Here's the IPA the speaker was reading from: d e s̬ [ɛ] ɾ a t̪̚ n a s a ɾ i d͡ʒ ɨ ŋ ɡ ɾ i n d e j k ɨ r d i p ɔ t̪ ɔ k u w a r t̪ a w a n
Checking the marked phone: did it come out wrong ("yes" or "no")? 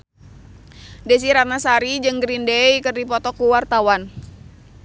yes